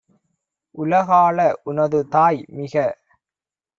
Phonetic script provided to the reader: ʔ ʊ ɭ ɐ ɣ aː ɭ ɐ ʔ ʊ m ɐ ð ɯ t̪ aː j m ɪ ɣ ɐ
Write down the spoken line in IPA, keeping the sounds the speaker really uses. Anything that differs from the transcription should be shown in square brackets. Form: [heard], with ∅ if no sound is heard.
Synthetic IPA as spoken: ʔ ʊ [l] ɐ ɣ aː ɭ ɐ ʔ ʊ [n] ɐ ð ɯ t̪ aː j m ɪ ɣ ɐ